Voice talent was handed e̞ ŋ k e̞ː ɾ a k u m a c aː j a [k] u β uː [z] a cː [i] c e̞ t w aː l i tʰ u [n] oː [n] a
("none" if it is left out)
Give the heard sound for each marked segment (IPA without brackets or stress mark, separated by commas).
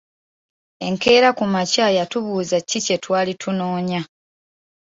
t, z, i, n, ɲ